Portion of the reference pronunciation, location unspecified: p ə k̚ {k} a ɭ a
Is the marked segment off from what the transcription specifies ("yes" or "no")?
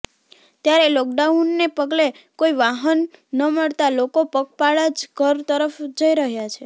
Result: yes